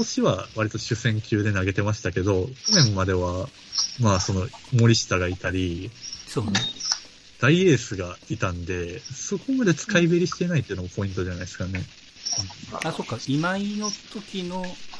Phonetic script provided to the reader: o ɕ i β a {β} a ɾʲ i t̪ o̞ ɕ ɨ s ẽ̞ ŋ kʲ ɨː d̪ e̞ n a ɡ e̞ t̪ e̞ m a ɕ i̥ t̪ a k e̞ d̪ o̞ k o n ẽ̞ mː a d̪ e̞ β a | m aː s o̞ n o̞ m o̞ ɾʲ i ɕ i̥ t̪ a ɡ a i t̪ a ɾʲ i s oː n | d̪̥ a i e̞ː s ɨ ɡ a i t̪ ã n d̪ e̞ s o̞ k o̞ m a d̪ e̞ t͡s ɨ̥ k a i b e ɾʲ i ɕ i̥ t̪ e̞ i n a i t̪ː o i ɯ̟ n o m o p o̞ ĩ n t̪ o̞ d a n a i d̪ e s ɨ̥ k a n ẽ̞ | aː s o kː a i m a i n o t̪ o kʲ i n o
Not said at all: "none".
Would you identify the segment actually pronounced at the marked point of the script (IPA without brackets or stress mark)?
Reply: β